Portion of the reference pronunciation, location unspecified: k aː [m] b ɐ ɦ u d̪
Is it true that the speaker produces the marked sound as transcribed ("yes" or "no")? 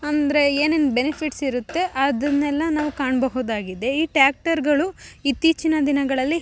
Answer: no